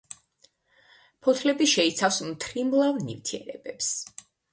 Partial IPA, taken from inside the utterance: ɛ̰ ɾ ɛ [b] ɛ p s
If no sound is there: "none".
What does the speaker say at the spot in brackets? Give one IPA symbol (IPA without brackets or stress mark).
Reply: b